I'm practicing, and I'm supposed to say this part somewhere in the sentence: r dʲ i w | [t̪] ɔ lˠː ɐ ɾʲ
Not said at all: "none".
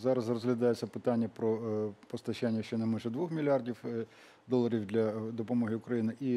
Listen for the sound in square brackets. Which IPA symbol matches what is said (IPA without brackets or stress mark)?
d̪